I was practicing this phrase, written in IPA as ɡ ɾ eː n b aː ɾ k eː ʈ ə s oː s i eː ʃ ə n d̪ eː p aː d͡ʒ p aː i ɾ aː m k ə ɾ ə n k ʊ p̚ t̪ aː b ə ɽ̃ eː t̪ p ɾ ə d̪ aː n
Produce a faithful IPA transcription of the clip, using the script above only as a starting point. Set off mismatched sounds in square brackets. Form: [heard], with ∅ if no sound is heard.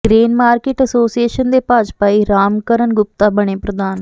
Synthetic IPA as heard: ɡ ɾ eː n [m] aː ɾ k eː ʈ ə s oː s i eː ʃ ə n d̪ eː p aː d͡ʒ p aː i ɾ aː m k ə ɾ ə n [ɡ] ʊ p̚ t̪ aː b ə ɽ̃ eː [∅] p ɾ ə d̪ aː n